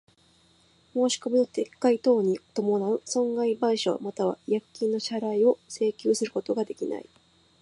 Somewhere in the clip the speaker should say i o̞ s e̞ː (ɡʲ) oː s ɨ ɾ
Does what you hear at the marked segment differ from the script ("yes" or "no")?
yes